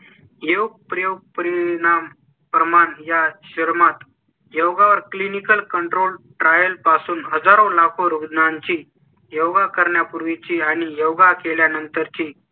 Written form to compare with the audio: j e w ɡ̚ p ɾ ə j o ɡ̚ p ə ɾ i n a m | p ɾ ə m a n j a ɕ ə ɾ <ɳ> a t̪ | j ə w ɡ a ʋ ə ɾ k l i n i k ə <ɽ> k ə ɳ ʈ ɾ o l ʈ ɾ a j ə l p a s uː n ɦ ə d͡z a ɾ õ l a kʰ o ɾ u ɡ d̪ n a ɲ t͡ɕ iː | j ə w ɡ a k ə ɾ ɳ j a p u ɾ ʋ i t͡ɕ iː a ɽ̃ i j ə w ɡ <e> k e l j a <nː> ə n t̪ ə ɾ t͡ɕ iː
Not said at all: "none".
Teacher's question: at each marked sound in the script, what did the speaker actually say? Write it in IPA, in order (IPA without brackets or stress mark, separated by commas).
m, l, a, n